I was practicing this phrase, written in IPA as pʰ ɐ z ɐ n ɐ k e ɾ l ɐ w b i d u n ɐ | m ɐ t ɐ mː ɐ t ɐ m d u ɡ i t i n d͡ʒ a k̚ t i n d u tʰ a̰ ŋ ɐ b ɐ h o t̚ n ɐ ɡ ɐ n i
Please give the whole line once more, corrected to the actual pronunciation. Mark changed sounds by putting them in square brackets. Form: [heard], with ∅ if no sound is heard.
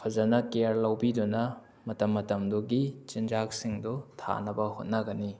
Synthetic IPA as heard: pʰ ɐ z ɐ n ɐ k e ɾ l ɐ w b i d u n ɐ | m ɐ t ɐ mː ɐ t ɐ m d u ɡ i [t͡ʃ] i n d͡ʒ a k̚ [s] i [ŋ] d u tʰ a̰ [n] ɐ b ɐ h o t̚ n ɐ ɡ ɐ n i